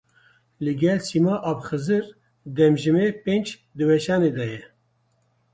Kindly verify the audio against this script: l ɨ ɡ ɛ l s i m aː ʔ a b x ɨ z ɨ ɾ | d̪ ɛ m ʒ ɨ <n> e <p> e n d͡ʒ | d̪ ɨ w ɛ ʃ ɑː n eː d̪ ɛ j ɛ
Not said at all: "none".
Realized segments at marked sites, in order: m, p

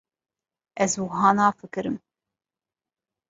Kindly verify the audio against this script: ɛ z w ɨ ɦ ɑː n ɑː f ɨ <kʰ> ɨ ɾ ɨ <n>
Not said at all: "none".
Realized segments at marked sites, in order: k, m

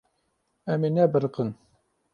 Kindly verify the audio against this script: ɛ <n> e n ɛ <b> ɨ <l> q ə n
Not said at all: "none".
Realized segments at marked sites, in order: m, b, ɾ

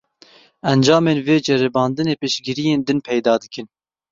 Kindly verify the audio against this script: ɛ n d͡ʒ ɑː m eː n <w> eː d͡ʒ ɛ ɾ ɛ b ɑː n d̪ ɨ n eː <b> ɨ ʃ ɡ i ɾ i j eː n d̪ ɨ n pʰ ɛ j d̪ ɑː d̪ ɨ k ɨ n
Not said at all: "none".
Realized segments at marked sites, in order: v, p

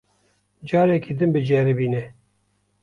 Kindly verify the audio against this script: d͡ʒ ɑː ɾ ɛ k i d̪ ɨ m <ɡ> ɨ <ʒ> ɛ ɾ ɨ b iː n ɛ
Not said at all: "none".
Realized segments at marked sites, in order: b, d͡ʒ

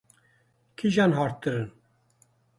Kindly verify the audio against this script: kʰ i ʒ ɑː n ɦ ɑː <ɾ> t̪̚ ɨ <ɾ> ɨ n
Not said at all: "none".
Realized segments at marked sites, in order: ɾ, ɾ

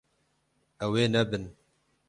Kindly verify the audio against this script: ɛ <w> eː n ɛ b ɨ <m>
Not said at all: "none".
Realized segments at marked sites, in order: w, n

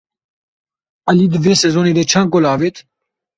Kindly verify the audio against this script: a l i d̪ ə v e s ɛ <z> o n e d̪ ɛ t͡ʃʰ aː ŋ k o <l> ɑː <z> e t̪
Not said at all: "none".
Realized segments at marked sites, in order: z, l, v

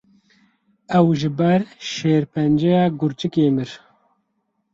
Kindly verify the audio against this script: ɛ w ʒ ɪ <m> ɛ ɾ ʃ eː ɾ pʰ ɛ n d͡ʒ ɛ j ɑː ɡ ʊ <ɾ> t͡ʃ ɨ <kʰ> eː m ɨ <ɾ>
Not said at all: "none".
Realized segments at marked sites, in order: b, ɾ, k, ɾ

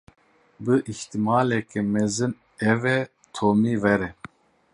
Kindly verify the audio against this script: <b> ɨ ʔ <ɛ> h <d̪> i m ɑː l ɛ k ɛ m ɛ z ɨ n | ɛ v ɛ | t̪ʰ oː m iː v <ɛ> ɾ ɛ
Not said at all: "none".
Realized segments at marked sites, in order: b, i, t̪, ɛ

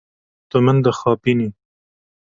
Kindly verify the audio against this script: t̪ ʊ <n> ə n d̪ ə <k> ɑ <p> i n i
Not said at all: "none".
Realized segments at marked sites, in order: m, x, p

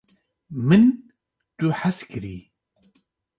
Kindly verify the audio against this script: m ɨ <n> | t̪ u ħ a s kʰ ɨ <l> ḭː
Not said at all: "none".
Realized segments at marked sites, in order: n, ɾ

